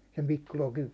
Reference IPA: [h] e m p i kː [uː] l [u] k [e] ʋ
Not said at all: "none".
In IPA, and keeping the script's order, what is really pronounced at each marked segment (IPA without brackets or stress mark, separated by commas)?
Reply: s, u, o, i